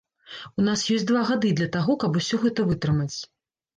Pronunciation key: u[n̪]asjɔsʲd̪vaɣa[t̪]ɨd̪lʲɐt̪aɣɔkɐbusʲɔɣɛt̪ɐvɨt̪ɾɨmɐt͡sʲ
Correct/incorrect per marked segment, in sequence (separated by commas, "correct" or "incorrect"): correct, incorrect